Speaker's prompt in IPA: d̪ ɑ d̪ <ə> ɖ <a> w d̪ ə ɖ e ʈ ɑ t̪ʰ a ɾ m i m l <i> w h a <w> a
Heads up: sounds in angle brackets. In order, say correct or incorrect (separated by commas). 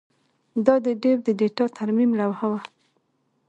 correct, incorrect, incorrect, correct